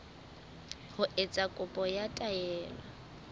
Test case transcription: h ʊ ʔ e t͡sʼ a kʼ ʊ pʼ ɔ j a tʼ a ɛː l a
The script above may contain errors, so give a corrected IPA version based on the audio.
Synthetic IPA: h ʊ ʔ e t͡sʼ a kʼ ʊ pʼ ɔ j a tʼ a ɛː l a